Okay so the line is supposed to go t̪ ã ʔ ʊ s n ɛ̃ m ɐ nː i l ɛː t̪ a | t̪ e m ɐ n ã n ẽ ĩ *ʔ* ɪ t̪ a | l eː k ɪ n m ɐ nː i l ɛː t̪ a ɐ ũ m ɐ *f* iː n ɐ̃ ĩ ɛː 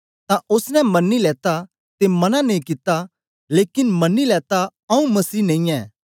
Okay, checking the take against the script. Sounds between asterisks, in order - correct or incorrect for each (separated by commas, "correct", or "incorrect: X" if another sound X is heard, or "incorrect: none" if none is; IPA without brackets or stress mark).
incorrect: k, incorrect: s